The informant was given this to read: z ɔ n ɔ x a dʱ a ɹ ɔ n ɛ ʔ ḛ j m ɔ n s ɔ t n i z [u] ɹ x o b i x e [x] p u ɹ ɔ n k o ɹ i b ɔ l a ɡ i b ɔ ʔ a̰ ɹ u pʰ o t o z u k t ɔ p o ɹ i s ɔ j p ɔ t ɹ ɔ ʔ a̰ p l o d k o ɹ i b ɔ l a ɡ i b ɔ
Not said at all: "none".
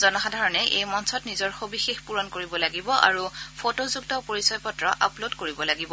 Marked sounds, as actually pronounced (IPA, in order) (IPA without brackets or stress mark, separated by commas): ɔ, x